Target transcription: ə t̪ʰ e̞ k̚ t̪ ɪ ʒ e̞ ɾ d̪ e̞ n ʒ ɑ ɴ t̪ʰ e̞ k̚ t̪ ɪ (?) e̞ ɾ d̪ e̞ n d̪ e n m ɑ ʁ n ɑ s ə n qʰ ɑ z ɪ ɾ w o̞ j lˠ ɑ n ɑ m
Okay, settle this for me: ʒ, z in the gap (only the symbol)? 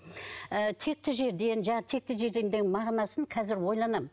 ʒ